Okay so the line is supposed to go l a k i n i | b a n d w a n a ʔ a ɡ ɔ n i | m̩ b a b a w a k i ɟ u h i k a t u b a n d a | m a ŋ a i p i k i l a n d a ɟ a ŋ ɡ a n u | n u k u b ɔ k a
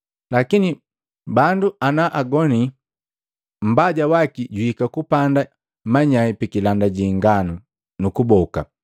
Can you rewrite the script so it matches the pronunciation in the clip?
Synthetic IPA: l a k i n i | b a n d u a n a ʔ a ɡ ɔ n i | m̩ b a ɟ a w a k i ɟ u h i k a k u p a n d a | m a ɲ a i p i k i l a n d a ɟ i ŋ ɡ a n u | n u k u b ɔ k a